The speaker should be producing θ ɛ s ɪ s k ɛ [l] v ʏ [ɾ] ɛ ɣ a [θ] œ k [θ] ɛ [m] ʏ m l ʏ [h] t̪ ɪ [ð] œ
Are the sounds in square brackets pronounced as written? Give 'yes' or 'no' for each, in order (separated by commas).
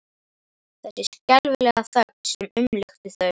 yes, no, yes, no, yes, no, no